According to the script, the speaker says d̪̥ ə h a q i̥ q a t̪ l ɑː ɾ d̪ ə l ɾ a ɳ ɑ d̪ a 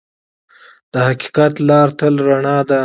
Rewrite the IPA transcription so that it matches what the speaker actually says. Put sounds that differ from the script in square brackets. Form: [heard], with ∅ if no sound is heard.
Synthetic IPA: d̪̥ ə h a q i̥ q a t̪ l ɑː ɾ [t̪] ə l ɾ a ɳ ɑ d̪ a